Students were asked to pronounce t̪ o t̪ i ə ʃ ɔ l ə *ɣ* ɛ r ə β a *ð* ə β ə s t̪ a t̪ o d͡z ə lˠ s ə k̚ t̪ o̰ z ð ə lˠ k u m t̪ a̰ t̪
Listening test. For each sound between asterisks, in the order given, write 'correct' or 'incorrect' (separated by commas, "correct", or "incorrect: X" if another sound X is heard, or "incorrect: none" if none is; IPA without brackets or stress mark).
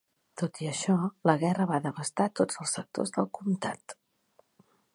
correct, correct